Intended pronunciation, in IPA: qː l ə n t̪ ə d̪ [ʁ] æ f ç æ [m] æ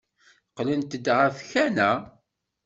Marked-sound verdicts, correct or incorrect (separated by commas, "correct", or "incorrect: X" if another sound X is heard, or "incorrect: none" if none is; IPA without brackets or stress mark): correct, incorrect: n